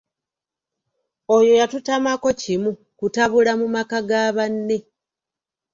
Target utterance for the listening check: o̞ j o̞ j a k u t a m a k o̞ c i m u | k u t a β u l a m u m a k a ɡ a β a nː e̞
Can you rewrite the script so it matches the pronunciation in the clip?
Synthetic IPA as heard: o̞ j o̞ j a t u t a m a k o̞ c i m u | k u t a β u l a m u m a k a ɡ a β a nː e̞